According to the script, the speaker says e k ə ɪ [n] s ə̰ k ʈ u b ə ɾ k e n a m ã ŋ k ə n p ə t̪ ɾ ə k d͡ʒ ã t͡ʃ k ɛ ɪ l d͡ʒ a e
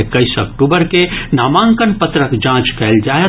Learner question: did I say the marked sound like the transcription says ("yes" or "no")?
no